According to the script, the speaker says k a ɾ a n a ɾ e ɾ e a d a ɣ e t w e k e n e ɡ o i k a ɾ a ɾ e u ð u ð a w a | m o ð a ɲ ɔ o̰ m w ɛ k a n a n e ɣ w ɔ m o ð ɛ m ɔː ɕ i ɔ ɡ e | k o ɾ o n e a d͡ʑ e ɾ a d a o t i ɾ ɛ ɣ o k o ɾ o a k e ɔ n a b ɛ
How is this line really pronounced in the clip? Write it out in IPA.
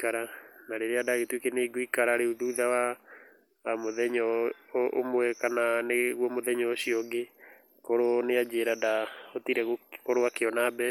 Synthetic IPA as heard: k a ɾ a n a ɾ e ɾ e a d a ɣ e t w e k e n e ɡ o i k a ɾ a ɾ e u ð u ð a w a | m o ð ɛ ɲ ɔ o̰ m w ɛ k a n a n e ɣ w ɔ m o ð ɛ ɲ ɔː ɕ i ɔ ɡ e | k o ɾ o n e a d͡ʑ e ɾ a d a o t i ɾ ɛ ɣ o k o ɾ o a k e ɔ n a b ɛ